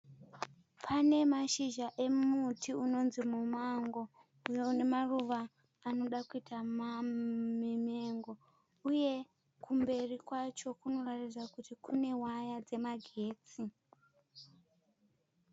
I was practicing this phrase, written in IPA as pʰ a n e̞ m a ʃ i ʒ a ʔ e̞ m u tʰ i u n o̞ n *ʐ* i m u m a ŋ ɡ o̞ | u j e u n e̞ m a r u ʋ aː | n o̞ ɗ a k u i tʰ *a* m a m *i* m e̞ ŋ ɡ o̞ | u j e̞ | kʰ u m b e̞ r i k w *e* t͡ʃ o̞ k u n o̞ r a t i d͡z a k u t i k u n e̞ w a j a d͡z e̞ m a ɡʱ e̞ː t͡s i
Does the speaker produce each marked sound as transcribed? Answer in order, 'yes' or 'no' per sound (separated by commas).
no, yes, yes, no